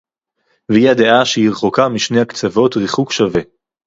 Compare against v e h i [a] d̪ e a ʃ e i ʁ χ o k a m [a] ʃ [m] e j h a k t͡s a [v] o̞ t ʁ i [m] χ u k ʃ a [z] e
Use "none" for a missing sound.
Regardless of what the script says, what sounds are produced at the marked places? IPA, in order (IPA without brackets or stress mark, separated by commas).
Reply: a, i, n, v, none, v